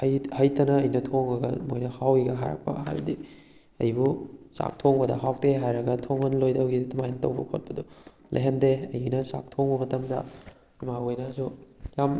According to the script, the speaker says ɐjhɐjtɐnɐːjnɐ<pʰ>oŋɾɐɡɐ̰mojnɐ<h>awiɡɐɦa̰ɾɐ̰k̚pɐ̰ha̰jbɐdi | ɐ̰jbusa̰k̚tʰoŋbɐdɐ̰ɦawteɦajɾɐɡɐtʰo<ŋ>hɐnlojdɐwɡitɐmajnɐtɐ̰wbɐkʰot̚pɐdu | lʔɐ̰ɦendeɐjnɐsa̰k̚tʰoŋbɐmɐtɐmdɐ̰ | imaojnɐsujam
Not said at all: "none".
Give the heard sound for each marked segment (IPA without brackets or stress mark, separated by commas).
tʰ, h, ŋ